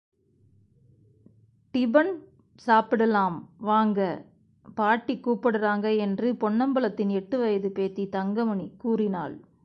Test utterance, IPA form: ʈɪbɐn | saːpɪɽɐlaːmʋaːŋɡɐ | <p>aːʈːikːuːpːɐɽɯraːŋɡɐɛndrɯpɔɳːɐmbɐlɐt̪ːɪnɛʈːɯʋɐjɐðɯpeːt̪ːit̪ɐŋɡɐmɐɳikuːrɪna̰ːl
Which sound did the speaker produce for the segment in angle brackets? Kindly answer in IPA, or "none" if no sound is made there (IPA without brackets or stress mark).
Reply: p